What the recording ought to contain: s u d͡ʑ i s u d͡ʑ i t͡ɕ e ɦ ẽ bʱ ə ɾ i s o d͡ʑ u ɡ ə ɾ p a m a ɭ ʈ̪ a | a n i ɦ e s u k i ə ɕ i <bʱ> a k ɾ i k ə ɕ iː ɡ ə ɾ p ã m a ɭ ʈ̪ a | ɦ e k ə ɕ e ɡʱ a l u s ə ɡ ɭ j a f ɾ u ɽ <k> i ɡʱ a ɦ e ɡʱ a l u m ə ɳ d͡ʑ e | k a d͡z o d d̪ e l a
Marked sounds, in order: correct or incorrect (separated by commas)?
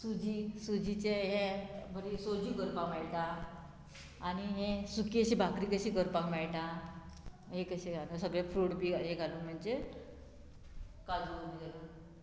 correct, incorrect